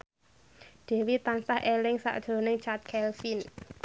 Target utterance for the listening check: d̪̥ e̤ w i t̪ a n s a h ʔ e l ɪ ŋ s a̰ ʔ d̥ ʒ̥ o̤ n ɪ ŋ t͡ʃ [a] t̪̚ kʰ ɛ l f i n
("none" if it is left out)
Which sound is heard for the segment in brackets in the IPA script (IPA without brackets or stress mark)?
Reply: a